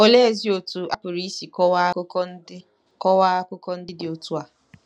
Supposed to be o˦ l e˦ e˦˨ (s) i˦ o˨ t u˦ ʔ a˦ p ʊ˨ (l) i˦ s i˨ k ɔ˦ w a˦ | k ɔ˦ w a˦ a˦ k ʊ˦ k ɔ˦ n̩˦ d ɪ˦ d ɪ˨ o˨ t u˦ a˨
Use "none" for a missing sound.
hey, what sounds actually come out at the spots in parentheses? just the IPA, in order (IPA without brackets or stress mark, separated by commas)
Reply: z, ɾ